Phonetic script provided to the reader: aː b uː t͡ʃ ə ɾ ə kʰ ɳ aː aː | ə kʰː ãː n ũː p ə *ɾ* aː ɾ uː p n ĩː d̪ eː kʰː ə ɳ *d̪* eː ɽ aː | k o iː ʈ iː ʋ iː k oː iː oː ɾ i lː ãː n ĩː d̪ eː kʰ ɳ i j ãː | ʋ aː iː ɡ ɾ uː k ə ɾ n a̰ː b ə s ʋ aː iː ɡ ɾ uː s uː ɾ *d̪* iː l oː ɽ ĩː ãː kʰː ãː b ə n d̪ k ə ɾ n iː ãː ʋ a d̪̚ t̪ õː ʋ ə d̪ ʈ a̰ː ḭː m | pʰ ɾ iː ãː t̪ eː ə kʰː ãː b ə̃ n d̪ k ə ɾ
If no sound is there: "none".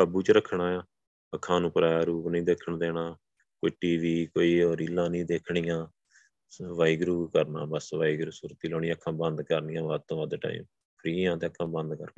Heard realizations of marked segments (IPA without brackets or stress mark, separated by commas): ɾ, d̪, t̪